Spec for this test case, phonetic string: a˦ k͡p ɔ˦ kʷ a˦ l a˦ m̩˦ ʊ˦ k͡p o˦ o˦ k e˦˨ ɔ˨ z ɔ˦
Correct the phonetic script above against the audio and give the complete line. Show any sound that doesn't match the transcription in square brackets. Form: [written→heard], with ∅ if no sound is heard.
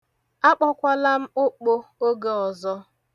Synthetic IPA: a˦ k͡p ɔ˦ kʷ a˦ l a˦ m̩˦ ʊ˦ k͡p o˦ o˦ [k→ɡ] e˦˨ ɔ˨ z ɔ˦

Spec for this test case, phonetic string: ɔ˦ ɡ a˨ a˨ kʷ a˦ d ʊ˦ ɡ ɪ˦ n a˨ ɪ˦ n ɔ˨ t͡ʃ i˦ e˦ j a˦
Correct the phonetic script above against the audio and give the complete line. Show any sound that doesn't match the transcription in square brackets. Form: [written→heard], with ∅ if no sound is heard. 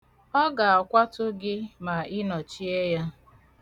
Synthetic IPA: ɔ˦ ɡ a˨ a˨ kʷ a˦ [d→t] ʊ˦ ɡ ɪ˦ [n→m] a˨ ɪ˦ n ɔ˨ t͡ʃ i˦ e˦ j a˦

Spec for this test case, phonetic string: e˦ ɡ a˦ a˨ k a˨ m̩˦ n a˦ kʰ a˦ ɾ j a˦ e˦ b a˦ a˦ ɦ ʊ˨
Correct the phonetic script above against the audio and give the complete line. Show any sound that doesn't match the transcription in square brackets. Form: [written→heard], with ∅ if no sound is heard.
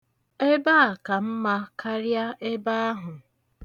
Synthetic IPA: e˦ [ɡ→b] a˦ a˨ k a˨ m̩˦ [n→m] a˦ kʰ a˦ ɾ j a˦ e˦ b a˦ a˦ ɦ ʊ˨

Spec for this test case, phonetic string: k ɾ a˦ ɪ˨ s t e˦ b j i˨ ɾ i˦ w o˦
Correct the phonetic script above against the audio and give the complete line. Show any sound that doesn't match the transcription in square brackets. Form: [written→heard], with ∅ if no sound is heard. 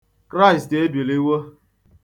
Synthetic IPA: k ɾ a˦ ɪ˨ s t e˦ b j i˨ [ɾ→l] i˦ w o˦

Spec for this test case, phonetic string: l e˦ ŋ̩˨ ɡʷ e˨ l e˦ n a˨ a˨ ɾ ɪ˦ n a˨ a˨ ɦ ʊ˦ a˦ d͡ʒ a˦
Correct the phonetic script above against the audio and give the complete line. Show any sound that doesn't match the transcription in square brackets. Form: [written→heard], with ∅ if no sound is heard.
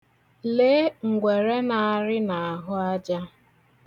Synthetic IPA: l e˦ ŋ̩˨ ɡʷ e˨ [l→ɾ] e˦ n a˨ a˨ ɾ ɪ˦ n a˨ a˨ ɦ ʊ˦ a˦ d͡ʒ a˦

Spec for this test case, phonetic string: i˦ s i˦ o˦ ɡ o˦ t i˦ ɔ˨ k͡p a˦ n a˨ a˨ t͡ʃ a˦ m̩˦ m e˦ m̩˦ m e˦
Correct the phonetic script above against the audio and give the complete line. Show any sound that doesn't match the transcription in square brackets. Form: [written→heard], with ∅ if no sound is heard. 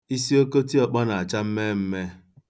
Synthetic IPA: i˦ s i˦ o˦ [ɡ→k] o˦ t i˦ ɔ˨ k͡p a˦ n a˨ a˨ t͡ʃ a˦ m̩˦ m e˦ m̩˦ m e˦

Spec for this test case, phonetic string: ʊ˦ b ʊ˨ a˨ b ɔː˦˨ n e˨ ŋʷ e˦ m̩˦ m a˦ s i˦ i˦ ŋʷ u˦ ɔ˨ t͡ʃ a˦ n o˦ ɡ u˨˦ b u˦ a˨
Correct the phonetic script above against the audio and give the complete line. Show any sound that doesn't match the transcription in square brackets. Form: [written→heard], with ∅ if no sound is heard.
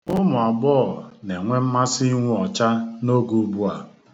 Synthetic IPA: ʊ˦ [b→m] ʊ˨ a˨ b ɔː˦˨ n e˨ ŋʷ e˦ m̩˦ m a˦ s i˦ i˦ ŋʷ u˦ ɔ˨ t͡ʃ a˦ n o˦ ɡ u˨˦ b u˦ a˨

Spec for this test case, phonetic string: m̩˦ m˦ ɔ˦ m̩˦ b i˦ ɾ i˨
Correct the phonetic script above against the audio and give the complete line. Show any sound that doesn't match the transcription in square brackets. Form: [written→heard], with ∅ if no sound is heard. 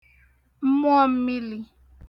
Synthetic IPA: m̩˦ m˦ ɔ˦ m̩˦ [b→m] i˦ [ɾ→l] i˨

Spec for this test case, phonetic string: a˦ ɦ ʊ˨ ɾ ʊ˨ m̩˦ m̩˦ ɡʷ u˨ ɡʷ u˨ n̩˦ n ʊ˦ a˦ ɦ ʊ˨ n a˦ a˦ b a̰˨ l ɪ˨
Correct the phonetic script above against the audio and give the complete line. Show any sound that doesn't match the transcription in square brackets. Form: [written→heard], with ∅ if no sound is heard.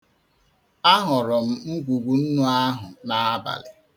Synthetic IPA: a˦ ɦ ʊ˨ ɾ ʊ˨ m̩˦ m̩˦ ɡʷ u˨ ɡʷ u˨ n̩˦ n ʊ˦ a˦ ɦ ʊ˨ n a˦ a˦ b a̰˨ l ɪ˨

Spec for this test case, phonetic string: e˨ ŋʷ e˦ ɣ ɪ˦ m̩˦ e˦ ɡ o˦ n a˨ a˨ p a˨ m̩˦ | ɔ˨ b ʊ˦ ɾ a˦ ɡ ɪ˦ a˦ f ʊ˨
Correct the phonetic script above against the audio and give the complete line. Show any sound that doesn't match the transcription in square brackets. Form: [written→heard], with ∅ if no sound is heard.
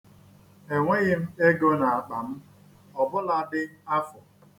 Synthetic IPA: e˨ ŋʷ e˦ ɣ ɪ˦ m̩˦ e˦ ɡ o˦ n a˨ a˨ [p→k͡p] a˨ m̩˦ | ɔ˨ b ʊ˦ [ɾ→l] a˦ [ɡ→d] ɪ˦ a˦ f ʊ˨

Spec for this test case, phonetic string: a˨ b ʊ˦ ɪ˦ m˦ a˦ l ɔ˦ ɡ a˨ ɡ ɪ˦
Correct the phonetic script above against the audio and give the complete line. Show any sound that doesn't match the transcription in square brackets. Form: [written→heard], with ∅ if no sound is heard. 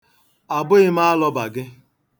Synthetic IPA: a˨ b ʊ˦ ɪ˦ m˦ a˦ l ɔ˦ [ɡ→b] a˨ ɡ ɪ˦

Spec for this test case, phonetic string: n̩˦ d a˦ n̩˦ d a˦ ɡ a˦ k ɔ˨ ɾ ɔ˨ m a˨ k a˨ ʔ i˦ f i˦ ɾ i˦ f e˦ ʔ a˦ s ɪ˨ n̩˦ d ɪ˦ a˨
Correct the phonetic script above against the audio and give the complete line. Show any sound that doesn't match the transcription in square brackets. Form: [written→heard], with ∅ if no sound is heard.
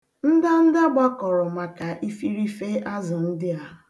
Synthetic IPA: n̩˦ d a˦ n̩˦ d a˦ [ɡ→ɡ͡b] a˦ k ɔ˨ ɾ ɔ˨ m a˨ k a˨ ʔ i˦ f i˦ ɾ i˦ f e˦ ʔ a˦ [s→z] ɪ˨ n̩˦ d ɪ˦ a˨

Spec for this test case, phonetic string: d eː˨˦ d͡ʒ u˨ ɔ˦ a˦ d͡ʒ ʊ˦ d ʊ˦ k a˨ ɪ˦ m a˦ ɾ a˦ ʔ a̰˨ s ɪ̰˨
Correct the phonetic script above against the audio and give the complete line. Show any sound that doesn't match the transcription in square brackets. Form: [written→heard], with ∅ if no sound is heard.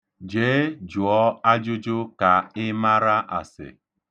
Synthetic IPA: [d→d͡ʒ] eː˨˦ d͡ʒ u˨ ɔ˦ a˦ d͡ʒ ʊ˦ [d→d͡ʒ] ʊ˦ k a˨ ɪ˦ m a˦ ɾ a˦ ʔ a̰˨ s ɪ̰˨

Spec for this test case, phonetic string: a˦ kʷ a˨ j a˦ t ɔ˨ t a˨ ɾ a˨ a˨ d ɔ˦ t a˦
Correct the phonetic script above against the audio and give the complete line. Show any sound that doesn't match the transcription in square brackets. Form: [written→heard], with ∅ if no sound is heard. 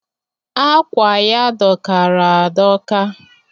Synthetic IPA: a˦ kʷ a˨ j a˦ [t→d] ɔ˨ [t→k] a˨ ɾ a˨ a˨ d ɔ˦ [t→k] a˦

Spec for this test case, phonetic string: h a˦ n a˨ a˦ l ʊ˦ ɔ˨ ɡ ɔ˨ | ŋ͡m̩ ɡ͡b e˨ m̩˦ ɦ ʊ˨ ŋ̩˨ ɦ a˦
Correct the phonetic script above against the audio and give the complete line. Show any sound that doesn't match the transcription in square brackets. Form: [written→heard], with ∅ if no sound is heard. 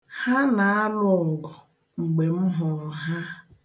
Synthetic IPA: h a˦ n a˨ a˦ l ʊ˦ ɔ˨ ɡ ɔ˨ | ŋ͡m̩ ɡ͡b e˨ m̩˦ ɦ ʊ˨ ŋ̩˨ ɦ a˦

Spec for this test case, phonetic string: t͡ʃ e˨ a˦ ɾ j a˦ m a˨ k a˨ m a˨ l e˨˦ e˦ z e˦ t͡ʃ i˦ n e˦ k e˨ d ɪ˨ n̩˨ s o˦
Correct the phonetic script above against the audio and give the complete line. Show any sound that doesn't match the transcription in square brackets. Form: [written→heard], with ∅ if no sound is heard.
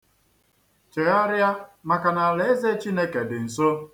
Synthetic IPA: t͡ʃ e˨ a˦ ɾ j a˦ m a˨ k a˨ [m→n] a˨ l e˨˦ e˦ z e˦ t͡ʃ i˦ n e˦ k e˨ d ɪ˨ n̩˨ s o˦

